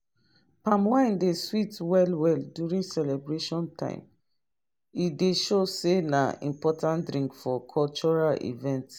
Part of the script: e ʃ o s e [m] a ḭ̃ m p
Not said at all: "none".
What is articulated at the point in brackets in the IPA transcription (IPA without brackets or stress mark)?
n